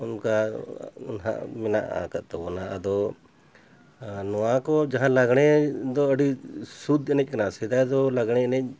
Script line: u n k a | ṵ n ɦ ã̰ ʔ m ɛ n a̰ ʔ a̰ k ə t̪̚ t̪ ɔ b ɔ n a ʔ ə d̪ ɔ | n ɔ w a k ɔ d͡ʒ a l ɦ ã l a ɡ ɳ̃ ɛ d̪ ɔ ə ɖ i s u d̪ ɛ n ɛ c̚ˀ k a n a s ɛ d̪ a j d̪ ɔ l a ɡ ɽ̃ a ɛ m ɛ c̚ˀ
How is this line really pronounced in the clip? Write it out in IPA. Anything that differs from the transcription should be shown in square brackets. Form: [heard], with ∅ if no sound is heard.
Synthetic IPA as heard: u n k a | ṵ n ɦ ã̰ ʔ m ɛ n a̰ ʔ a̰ k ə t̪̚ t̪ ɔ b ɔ n a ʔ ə d̪ ɔ | n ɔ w a k ɔ d͡ʒ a [∅] ɦ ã l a ɡ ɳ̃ ɛ d̪ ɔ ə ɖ i s u d̪ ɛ n ɛ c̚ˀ k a n a s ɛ d̪ a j d̪ ɔ l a ɡ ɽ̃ [ɛ] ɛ [n] ɛ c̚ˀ